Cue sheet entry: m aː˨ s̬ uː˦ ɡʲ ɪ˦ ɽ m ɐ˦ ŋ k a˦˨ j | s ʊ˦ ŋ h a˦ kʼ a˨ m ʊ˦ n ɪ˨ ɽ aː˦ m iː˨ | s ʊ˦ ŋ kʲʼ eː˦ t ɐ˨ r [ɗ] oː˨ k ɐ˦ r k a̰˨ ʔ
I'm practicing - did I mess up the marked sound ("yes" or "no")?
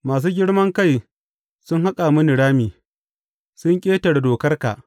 yes